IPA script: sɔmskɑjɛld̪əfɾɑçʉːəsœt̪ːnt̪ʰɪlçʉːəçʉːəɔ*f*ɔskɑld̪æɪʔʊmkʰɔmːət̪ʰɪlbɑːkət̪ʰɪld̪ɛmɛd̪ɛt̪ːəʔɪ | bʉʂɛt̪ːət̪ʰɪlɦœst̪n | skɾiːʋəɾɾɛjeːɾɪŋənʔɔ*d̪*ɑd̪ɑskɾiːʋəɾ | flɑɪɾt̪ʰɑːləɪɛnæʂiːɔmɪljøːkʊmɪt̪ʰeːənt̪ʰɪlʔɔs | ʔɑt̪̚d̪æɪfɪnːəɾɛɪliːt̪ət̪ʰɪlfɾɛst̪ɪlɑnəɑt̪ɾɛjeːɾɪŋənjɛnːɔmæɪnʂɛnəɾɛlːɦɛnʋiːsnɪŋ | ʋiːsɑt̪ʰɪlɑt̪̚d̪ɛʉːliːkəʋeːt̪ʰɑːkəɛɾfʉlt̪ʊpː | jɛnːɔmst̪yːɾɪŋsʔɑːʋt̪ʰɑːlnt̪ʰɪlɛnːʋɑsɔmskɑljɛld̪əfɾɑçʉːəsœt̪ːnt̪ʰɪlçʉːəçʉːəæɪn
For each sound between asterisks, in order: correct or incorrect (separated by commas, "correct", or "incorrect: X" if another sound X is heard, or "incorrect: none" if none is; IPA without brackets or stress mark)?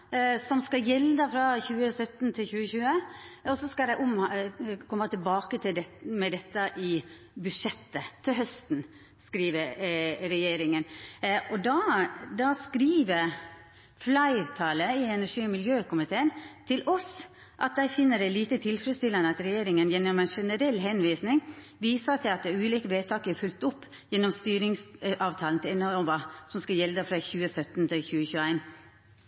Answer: incorrect: s, correct